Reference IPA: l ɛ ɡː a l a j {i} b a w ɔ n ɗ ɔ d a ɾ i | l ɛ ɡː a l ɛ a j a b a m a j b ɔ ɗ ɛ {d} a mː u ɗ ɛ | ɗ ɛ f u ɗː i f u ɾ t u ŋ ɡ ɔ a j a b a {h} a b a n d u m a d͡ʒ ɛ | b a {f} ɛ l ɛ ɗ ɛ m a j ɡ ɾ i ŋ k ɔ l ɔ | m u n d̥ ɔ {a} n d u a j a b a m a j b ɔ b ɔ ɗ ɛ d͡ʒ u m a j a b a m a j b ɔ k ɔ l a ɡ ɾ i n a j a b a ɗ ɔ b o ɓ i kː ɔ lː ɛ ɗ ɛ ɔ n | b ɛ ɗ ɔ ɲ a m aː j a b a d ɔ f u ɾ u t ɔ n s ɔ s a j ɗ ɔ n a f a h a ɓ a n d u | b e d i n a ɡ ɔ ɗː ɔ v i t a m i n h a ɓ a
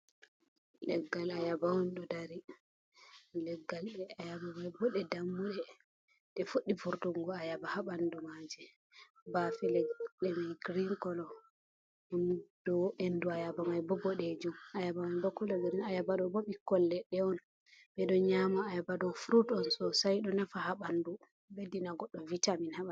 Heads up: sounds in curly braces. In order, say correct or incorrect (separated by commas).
incorrect, correct, correct, correct, incorrect